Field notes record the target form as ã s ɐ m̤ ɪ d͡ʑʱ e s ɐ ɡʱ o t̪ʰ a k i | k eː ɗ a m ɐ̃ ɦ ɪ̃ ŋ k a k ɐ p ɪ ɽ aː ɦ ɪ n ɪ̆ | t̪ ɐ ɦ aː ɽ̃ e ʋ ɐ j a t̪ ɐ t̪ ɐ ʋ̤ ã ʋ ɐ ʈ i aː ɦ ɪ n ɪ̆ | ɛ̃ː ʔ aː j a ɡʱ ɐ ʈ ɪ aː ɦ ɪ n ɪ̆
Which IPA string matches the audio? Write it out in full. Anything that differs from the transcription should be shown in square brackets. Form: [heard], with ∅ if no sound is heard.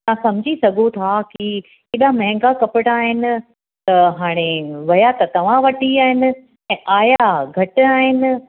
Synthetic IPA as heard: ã s ɐ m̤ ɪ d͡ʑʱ [i] s ɐ ɡʱ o t̪ʰ a k i | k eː ɗ a m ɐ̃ ɦ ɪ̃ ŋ [ɡ] a k ɐ p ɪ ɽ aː ɦ ɪ n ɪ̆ | t̪ ɐ ɦ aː ɽ̃ e ʋ ɐ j a t̪ ɐ t̪ ɐ ʋ̤ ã ʋ ɐ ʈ i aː ɦ ɪ n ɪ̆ | ɛ̃ː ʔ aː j a ɡʱ ɐ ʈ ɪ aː ɦ ɪ n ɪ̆